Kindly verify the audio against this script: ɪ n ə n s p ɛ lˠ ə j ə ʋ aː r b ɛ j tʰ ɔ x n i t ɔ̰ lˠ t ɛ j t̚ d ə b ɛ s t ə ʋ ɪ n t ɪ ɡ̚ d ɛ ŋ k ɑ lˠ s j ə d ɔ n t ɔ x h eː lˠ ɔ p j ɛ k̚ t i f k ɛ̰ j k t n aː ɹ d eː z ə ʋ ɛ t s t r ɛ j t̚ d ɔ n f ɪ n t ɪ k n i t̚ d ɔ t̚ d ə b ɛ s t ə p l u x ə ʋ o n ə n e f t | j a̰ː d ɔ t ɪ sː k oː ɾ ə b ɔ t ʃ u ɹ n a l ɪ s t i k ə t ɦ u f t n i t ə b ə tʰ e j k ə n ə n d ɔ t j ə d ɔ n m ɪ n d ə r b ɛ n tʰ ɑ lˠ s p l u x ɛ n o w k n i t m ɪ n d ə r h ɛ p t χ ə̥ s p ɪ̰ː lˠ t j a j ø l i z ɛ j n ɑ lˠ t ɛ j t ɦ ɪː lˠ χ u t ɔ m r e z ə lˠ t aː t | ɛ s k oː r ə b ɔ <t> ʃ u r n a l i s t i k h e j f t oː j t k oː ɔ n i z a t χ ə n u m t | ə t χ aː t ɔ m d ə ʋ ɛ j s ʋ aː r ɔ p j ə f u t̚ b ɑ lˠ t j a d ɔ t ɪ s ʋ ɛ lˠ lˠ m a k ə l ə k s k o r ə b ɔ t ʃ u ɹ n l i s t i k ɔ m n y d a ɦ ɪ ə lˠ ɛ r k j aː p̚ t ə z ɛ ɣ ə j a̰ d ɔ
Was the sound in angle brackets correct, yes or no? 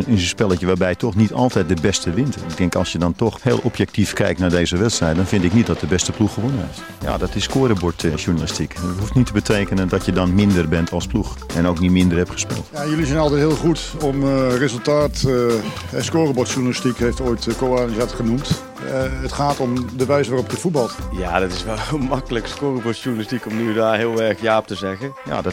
yes